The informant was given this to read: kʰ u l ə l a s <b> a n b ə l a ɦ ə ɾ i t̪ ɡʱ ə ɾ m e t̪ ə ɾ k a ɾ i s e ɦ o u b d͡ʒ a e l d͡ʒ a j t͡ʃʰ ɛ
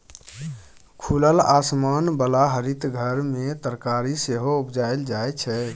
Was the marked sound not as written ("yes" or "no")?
yes